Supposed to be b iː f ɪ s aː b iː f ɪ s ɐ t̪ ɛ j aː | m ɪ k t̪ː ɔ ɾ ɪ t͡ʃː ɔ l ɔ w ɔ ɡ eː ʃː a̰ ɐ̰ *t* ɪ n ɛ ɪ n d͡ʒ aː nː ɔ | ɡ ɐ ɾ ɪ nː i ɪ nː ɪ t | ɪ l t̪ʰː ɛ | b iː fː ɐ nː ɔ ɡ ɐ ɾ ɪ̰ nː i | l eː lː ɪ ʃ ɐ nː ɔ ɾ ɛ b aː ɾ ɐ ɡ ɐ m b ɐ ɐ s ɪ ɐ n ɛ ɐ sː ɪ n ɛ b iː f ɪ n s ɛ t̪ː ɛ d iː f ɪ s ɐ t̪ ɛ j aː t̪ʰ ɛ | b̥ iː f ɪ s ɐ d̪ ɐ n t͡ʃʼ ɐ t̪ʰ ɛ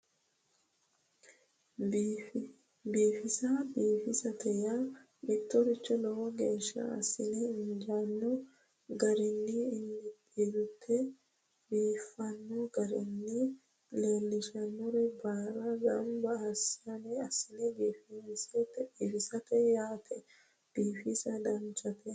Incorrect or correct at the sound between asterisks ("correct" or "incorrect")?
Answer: incorrect